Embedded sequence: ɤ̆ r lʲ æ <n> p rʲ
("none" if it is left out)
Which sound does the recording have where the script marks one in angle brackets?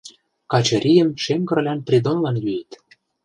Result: n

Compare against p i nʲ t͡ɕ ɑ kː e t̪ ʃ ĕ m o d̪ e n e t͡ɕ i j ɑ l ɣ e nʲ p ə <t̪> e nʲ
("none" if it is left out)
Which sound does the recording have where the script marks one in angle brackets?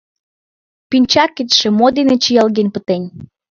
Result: t̪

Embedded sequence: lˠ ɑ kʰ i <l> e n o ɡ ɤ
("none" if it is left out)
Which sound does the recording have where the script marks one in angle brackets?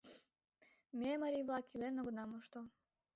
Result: l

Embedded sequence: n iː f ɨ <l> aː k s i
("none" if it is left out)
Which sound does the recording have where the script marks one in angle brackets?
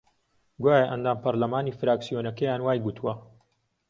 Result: ɾ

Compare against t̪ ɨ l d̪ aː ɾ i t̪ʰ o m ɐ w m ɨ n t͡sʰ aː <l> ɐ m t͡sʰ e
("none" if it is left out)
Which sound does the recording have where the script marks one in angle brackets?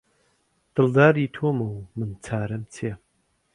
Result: ɾ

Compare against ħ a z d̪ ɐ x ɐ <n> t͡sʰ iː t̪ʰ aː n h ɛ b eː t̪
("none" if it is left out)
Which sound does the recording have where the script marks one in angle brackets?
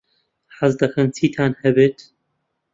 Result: n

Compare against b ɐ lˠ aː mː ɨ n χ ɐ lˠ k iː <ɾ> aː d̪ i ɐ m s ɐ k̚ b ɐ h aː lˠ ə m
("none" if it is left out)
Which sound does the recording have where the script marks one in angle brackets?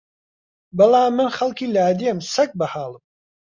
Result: l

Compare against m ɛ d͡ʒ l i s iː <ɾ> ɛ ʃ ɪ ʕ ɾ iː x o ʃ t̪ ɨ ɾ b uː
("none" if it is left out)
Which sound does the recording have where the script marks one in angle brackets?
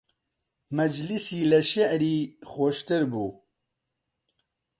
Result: l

